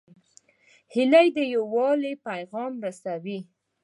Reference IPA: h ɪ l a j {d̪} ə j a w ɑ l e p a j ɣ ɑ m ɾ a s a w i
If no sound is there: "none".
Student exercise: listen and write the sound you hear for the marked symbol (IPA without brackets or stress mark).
d̪